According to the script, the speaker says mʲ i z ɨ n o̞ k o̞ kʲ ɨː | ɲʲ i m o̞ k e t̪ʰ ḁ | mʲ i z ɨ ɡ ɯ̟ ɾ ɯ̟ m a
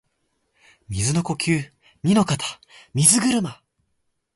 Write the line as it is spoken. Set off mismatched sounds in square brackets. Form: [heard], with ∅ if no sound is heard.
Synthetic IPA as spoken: mʲ i z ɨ n o̞ k o̞ kʲ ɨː | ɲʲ i [n] o̞ k [a] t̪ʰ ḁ | mʲ i z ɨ ɡ ɯ̟ ɾ ɯ̟ m a